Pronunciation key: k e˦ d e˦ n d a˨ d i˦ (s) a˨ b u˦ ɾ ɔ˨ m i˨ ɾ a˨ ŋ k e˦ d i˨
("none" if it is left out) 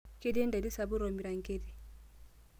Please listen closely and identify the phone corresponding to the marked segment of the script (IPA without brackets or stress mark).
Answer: s